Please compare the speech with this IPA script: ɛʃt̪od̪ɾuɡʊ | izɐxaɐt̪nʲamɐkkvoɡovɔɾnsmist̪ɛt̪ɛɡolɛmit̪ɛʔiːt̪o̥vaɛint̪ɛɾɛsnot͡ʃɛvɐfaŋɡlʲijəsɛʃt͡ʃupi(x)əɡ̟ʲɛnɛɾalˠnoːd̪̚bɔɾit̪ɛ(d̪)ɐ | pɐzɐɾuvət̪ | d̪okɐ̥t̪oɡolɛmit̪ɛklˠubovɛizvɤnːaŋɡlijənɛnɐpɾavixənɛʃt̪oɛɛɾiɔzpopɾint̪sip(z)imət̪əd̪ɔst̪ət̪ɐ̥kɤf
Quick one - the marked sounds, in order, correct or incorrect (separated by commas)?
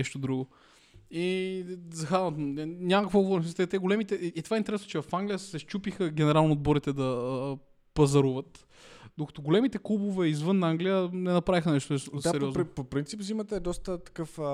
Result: correct, correct, correct